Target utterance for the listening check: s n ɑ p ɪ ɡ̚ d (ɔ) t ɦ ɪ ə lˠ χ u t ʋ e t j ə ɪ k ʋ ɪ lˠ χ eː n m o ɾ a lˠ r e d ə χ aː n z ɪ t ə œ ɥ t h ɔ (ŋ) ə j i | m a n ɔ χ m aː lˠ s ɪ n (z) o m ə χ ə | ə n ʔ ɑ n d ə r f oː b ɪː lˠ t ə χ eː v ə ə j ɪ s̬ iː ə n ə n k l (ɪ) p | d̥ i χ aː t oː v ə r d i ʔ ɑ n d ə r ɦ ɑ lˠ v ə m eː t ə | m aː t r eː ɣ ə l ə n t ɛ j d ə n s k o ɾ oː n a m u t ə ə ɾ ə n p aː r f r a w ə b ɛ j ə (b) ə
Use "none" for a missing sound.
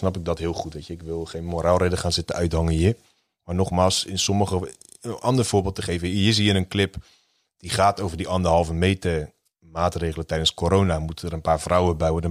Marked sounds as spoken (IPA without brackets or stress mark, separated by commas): ɔ, ŋ, s, ɪ, d